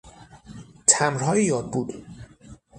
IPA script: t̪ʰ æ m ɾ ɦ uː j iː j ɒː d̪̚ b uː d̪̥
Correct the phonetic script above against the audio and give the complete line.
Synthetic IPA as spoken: t̪ʰ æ m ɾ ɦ ɒː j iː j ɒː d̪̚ b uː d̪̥

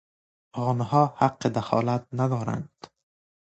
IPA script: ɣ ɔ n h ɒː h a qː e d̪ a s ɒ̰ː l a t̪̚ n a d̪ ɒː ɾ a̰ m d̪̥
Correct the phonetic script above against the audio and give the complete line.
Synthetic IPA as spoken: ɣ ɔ n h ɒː h a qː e d̪ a x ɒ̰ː l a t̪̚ n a d̪ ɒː ɾ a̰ n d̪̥

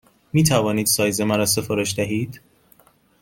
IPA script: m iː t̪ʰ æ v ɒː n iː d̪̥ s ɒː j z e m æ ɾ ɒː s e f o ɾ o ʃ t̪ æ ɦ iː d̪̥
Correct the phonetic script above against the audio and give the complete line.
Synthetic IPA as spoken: m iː t̪ʰ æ v ɒː n iː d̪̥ s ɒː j z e m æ ɾ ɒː s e f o ɾ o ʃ d̪ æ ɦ iː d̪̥

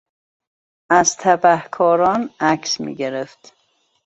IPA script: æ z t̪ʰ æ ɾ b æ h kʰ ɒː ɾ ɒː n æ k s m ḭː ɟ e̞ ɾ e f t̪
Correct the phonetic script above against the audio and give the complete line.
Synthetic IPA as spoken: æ z t̪ʰ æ b æ h kʰ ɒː ɾ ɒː n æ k s m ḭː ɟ e̞ ɾ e f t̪

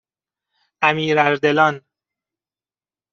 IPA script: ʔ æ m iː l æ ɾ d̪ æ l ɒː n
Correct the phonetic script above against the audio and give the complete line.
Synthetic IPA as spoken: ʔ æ m iː ɾ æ ɾ d̪ e l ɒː n

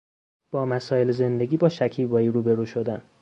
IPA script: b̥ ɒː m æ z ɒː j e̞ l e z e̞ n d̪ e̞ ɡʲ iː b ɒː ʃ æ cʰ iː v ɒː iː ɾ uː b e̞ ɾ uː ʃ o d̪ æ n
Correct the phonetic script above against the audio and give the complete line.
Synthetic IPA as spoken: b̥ ɒː m æ s ɒː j e̞ l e z e̞ n d̪ e̞ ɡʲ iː b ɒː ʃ æ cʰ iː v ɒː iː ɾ uː b e̞ ɾ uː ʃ o d̪ æ n

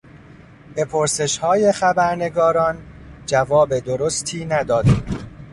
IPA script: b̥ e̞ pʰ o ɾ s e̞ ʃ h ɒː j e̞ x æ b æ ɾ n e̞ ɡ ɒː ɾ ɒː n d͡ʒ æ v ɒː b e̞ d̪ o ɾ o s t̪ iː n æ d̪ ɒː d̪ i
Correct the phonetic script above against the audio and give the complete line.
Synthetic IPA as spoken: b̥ e̞ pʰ o ɾ s e̞ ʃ h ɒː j e̞ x æ b æ ɾ n e̞ ɡ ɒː ɾ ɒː n d͡ʒ æ v ɒː b e̞ d̪ o ɾ o s t̪ʰ iː n æ d̪ ɒː d̪ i

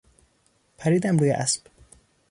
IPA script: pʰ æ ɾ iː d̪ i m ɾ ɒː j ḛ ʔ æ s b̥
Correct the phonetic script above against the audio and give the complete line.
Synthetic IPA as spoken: pʰ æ ɾ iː d̪ æ m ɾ uː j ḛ ʔ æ s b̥

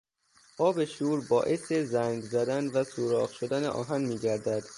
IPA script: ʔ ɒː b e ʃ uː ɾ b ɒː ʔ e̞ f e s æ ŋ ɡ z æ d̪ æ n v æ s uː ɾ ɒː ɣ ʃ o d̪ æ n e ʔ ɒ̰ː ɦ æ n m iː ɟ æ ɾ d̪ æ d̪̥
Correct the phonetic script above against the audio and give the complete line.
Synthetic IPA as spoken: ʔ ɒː b e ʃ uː ɾ b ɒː ʔ e̞ s e z æ ŋ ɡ z æ d̪ æ n v æ s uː ɾ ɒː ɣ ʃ o d̪ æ n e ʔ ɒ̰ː ɦ æ n m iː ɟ æ ɾ d̪ æ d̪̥

